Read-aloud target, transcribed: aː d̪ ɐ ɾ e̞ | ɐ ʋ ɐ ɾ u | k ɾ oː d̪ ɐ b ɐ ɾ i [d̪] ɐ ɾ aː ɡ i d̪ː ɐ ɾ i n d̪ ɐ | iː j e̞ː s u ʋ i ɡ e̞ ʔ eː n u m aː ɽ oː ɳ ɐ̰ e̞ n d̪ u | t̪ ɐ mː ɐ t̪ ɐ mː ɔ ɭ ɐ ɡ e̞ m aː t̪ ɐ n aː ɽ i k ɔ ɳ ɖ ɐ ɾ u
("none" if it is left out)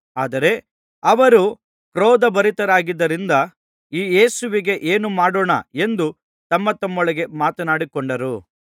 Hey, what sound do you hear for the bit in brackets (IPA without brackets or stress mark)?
t̪